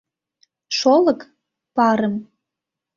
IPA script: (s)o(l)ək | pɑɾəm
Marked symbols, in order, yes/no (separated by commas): no, yes